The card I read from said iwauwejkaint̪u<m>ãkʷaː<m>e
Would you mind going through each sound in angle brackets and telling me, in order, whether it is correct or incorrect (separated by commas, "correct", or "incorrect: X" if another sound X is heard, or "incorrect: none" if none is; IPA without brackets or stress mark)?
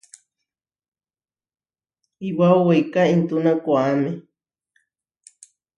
incorrect: n, correct